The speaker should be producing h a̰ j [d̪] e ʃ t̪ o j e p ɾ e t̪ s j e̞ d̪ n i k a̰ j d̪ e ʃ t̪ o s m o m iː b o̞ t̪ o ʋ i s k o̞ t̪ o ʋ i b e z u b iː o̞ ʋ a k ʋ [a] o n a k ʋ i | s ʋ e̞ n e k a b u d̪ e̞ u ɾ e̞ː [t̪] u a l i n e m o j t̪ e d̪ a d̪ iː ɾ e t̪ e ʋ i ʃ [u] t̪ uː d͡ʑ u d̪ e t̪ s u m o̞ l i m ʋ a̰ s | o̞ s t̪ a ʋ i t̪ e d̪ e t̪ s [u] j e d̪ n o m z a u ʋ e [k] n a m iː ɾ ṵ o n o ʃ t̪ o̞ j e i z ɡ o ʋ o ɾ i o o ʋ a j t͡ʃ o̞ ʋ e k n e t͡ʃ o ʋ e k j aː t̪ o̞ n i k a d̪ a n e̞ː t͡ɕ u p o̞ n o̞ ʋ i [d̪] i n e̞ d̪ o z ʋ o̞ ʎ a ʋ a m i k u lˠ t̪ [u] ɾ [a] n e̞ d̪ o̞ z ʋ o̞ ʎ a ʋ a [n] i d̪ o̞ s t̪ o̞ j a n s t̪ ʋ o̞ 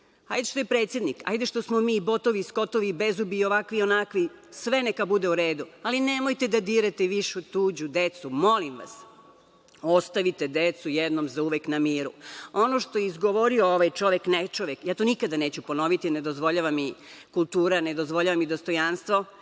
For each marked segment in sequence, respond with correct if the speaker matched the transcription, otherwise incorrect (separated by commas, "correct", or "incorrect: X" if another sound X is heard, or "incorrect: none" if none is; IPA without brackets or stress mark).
correct, incorrect: i, incorrect: d̪, correct, correct, correct, incorrect: t̪, incorrect: uː, correct, incorrect: m